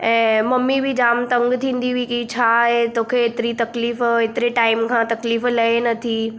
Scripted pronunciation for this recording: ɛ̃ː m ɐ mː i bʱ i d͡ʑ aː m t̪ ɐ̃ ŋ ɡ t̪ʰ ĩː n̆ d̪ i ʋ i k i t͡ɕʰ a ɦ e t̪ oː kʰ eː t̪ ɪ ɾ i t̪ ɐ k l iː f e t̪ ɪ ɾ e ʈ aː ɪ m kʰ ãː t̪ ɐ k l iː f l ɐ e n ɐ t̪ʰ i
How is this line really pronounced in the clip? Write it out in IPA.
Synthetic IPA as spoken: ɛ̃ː m ɐ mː i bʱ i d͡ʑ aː m t̪ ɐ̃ ŋ ɡ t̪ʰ ĩː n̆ d̪ i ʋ i k i t͡ɕʰ a ɦ e t̪ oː kʰ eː t̪ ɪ ɾ i t̪ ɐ k l iː f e t̪ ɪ ɾ e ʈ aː ɪ m kʰ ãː t̪ ɐ k l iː f l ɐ e n ɐ t̪ʰ i